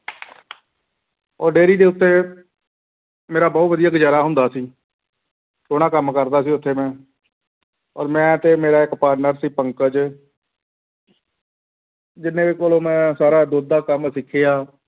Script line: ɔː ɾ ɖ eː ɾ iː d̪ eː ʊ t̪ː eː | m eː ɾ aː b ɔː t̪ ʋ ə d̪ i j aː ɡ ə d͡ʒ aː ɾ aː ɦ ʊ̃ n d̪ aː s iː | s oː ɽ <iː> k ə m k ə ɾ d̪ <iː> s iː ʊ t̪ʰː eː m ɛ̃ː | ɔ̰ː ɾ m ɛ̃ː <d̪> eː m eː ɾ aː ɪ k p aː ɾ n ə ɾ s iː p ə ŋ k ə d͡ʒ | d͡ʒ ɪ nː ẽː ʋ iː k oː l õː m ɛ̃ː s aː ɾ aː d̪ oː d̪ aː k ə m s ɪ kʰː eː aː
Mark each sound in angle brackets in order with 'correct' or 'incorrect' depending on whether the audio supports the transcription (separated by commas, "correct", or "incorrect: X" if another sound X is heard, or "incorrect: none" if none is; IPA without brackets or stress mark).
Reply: incorrect: aː, incorrect: aː, incorrect: t̪